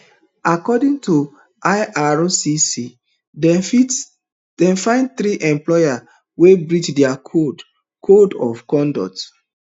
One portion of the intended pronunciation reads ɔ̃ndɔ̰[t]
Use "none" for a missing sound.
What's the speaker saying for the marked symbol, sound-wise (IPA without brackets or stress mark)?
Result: t